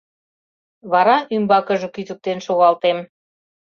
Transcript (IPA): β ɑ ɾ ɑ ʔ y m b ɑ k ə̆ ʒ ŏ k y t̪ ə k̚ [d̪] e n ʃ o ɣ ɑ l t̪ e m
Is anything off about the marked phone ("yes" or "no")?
yes